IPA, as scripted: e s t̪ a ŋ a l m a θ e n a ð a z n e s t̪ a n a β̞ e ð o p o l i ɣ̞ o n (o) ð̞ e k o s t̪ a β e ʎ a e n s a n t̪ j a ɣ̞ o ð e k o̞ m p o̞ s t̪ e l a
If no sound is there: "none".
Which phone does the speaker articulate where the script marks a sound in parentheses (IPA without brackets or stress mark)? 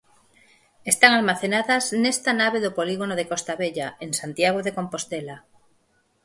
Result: o